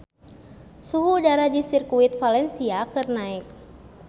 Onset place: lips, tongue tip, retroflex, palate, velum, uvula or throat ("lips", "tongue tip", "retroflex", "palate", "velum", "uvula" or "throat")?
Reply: tongue tip